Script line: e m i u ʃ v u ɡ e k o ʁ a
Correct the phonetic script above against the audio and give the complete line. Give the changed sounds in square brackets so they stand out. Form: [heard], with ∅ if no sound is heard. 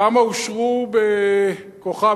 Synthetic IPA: [a] m [a] u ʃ [ʁ] u [b] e k o [χ] a